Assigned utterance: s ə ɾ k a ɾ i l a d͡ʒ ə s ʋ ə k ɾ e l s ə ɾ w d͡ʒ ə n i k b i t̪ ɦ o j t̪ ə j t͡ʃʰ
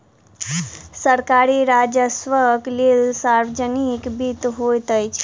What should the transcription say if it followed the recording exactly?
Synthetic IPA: s ə ɾ k a ɾ i ɾ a d͡ʒ ə s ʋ ə k l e l s a ɾ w d͡ʒ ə n i k b i t̪ ɦ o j t̪ ə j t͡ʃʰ